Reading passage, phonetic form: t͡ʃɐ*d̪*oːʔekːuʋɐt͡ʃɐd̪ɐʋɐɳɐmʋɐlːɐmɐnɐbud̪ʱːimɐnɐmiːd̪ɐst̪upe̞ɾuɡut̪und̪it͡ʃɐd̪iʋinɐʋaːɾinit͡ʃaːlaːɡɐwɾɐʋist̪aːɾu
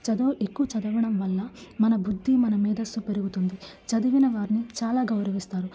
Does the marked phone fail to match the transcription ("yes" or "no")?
no